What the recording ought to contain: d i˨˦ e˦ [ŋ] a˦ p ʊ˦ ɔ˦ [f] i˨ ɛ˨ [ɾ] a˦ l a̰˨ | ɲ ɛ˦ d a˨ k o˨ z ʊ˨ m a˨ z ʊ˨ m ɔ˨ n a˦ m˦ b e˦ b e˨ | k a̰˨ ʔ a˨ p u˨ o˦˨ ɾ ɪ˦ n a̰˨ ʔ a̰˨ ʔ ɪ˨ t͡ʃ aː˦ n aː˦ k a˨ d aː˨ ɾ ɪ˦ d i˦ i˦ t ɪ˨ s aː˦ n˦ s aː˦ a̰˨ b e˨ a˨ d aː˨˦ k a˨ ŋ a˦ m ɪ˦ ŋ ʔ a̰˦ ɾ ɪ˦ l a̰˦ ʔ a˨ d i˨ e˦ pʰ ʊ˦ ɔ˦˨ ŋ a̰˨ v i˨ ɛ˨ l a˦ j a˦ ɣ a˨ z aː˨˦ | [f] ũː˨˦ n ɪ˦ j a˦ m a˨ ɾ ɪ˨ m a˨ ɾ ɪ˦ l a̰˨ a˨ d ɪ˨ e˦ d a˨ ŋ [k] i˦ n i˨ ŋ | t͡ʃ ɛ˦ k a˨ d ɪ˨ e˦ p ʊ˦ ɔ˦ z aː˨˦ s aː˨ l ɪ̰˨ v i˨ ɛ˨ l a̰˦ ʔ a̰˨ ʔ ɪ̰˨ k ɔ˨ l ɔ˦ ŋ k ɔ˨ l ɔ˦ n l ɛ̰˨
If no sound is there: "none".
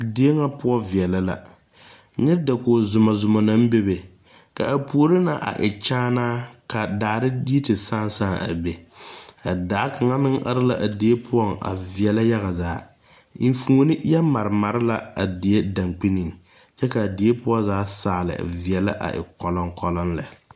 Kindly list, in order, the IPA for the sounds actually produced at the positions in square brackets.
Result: ŋ, v, l, f, k͡p

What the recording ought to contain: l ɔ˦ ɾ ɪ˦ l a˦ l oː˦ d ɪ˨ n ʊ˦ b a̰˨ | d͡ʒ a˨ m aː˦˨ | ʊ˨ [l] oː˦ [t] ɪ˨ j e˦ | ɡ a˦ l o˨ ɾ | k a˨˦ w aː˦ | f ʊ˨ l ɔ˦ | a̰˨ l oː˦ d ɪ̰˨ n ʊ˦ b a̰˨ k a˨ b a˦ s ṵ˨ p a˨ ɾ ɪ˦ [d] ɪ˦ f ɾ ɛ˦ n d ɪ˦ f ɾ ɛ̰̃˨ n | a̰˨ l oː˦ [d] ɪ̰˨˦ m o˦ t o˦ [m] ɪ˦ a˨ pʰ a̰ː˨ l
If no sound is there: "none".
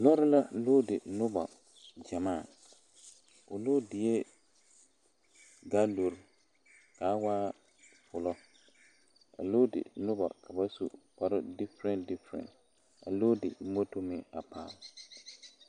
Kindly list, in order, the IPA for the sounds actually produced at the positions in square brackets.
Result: l, d, d, d, m

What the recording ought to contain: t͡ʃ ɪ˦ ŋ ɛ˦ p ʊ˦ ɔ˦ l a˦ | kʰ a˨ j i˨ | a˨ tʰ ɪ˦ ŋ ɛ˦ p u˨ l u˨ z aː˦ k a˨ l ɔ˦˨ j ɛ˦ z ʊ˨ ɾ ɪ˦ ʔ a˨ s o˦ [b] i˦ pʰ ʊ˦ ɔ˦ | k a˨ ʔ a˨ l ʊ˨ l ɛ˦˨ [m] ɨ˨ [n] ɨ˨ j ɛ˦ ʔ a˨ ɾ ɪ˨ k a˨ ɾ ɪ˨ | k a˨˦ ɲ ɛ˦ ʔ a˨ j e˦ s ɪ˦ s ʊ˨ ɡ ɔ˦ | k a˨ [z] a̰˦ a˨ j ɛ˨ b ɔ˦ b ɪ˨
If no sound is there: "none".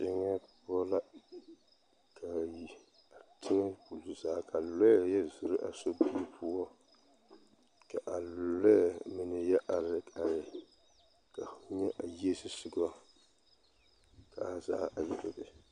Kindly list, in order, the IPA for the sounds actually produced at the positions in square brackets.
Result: b, m, n, z

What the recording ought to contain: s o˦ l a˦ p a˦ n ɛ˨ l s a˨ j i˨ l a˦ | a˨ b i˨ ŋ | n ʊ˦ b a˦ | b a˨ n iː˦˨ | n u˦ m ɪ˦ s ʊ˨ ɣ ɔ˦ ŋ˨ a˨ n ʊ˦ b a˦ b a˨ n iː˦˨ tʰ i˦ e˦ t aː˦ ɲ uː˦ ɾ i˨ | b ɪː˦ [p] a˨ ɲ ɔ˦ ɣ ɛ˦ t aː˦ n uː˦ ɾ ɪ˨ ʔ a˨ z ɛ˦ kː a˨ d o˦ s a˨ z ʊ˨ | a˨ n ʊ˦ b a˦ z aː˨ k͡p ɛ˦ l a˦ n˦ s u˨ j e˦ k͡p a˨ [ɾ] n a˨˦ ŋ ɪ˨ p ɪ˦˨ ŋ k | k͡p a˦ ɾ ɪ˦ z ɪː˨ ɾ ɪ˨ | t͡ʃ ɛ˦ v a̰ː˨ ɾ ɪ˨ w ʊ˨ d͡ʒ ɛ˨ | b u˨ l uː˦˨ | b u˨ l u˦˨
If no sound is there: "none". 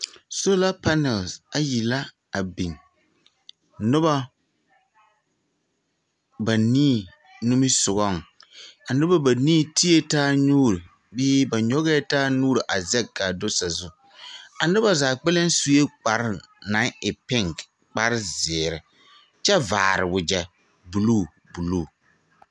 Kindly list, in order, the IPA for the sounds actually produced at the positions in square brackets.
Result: b, ɾ

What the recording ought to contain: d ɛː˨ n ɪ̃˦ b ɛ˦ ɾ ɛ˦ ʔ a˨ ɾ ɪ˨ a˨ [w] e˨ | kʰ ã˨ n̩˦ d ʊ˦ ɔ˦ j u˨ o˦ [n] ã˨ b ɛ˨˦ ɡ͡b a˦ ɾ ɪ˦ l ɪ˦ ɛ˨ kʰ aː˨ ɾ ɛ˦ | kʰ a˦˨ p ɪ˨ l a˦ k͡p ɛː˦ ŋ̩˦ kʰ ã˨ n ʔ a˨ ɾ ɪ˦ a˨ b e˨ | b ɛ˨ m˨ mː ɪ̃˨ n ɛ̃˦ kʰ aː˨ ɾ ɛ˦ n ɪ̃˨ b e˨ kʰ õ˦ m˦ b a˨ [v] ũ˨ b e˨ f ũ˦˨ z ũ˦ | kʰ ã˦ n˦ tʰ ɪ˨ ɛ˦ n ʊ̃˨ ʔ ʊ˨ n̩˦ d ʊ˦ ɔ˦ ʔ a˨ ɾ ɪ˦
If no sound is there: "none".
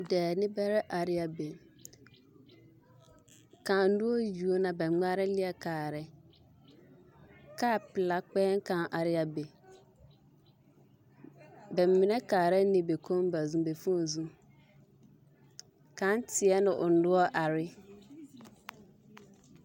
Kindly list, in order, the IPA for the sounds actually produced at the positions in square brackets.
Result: b, n, z

